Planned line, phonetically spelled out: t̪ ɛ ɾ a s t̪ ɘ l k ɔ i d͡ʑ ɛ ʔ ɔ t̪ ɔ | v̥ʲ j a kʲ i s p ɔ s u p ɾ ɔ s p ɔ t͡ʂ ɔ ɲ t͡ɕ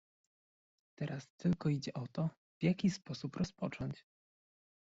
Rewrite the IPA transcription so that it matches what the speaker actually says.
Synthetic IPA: t̪ ɛ ɾ a s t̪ ɘ l k ɔ i d͡ʑ ɛ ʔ ɔ t̪ ɔ | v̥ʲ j a kʲ i s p ɔ s u p ɾ ɔ s p ɔ t͡ʂ ɔ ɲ t͡ɕ

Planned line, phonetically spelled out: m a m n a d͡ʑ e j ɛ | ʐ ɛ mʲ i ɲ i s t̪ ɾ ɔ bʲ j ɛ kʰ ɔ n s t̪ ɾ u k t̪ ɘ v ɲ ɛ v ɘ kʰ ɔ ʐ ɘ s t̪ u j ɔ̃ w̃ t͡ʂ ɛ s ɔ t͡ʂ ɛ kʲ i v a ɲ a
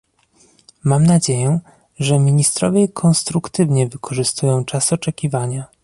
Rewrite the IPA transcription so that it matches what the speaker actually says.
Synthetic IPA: m a m n a d͡ʑ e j ɛ | ʐ ɛ mʲ i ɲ i s t̪ ɾ ɔ vʲ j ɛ kʰ ɔ n s t̪ ɾ u k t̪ ɘ v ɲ ɛ v ɘ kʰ ɔ ʐ ɘ s t̪ u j ɔ̃ w̃ t͡ʂ a s ɔ t͡ʂ ɛ kʲ i v a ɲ a

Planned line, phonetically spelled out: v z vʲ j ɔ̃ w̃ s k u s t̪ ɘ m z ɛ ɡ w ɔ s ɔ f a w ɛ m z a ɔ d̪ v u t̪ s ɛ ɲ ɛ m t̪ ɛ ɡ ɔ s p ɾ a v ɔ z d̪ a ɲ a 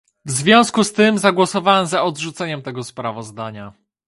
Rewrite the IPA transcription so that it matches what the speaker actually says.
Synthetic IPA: v z vʲ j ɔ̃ w̃ s k u s t̪ ɘ m z a ɡ w ɔ s ɔ v a w ɛ m z a ɔ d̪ ʐ u t̪ s ɛ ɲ ɛ m t̪ ɛ ɡ ɔ s p ɾ a v ɔ z d̪ a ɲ a

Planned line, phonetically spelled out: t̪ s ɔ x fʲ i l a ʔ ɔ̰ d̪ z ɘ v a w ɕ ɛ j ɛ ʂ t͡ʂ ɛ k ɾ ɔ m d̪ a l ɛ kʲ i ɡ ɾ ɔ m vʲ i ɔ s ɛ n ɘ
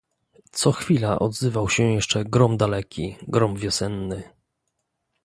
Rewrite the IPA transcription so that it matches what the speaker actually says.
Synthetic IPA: t̪ s ɔ x fʲ i l a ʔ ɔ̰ d̪ z ɘ v a w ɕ ɛ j ɛ ʂ t͡ʂ ɛ ɡ ɾ ɔ m d̪ a l ɛ kʲ i ɡ ɾ ɔ m vʲ j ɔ s ɛ nː ɘ

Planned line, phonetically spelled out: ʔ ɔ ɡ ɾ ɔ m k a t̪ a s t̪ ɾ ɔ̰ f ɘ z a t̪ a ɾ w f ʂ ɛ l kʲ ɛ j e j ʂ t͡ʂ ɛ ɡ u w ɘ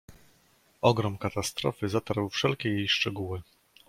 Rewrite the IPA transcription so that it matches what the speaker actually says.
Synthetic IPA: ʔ ɔ ɡ ɾ ɔ m k a t̪ a s t̪ ɾ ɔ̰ f ɘ z a t̪ a ɾ w f ʂ ɛ l kʲ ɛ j e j ʂ t͡ʂ ɛ ɡ u w ɘ

